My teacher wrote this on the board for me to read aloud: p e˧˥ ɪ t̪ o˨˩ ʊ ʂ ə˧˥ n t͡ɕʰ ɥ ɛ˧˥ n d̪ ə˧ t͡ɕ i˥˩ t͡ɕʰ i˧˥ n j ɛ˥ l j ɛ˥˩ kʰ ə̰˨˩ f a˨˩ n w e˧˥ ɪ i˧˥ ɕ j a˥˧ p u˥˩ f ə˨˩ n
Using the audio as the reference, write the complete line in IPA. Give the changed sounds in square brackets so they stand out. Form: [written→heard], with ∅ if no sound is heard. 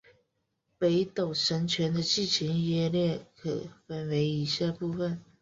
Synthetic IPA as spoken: p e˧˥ ɪ t̪ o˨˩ ʊ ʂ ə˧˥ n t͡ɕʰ ɥ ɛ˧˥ n d̪ ə˧ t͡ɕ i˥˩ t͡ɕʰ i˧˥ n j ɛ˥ l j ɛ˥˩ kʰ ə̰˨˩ f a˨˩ n w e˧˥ ɪ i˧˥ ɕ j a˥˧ p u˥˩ f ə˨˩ n